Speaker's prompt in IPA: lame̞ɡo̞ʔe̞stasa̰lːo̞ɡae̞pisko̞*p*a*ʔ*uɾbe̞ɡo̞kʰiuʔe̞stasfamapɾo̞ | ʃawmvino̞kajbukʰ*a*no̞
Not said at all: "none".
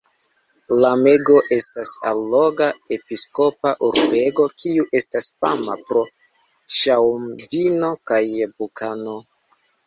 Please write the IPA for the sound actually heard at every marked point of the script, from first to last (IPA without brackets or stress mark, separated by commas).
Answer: p, ʔ, a